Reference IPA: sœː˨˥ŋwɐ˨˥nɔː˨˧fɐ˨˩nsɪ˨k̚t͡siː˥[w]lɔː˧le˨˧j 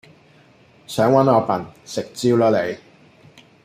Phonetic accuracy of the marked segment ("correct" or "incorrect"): correct